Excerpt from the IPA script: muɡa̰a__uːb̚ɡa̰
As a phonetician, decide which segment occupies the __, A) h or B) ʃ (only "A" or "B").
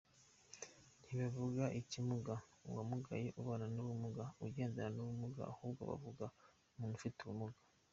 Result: A